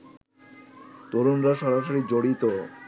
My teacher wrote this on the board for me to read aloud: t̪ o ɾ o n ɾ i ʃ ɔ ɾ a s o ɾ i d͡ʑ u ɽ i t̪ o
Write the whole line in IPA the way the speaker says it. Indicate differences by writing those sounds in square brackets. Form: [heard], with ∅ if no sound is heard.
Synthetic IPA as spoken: t̪ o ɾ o n ɾ [a] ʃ ɔ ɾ a [ʃ] o ɾ i d͡ʑ [o] ɽ i t̪ o